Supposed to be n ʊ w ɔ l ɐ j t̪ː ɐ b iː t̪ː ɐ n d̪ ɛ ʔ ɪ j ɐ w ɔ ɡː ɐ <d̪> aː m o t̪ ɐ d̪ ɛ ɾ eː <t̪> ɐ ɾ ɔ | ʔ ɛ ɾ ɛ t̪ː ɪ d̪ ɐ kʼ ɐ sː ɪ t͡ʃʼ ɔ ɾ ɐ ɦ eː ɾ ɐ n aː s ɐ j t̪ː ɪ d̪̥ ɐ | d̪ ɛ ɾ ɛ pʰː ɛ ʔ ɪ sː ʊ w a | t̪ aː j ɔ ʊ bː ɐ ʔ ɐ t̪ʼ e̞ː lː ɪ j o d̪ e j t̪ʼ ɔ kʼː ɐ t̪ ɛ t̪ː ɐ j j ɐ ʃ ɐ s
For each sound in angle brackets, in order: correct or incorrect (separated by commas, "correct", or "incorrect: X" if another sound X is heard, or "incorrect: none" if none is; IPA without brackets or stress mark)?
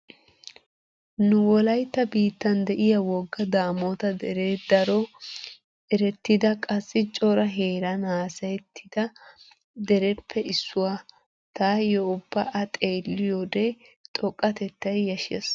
correct, incorrect: d̪